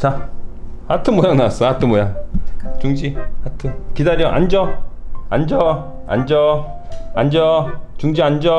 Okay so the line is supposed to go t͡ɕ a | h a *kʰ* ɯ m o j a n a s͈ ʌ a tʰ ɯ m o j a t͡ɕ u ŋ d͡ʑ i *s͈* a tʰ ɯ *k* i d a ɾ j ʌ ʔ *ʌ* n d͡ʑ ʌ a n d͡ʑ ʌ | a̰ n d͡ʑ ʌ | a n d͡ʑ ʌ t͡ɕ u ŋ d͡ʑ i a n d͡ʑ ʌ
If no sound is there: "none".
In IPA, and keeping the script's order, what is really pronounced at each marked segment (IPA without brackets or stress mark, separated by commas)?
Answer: tʰ, none, k, a